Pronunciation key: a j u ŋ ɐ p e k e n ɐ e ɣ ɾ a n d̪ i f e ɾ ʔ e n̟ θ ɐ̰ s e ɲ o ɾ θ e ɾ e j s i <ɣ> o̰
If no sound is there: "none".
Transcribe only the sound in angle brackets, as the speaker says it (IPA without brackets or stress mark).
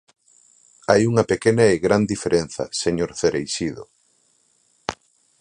ð